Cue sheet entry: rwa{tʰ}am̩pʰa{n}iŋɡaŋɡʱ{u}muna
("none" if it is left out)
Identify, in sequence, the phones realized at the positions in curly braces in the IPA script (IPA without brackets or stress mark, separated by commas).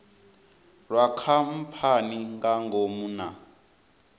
kʰ, n, o